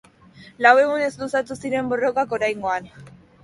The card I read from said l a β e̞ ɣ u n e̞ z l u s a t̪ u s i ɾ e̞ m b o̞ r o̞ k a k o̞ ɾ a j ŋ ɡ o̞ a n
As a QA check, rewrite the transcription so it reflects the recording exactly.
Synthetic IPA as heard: l a w e̞ ɣ u n e̞ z l u s a t̪ u s i ɾ e̞ m b o̞ r o̞ k a k o̞ ɾ a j ŋ ɡ o̞ a n